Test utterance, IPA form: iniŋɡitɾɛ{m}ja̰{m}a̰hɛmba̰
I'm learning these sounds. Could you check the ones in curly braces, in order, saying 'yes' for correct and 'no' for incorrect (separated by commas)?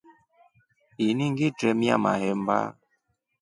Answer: yes, yes